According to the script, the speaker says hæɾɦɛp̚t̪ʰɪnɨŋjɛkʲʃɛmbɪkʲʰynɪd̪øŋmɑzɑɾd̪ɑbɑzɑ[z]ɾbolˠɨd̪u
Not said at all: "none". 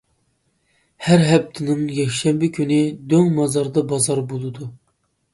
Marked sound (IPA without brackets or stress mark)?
none